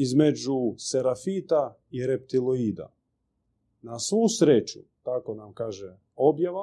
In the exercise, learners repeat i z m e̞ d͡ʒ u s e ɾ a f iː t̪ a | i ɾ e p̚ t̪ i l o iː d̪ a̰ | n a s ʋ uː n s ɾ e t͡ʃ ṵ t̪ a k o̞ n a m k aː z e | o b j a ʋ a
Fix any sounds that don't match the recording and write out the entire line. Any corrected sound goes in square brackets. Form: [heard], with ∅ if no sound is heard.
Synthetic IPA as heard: i z m e̞ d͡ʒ u s e ɾ a f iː t̪ a | i ɾ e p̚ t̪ i l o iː d̪ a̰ | n a s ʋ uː [∅] s ɾ e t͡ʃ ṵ t̪ a k o̞ n a m k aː [ʒ] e | o b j a ʋ a